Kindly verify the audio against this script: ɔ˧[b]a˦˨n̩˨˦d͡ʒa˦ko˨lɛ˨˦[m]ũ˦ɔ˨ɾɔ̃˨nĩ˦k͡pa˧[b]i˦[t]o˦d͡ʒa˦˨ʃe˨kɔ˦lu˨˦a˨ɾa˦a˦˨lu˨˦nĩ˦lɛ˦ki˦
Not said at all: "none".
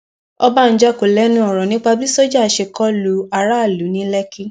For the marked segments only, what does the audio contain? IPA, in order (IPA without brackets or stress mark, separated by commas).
b, n, b, s